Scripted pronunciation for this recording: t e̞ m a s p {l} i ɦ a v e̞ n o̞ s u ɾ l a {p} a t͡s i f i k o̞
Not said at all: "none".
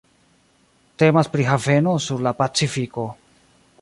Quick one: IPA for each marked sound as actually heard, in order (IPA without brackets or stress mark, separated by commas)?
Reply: ɾ, p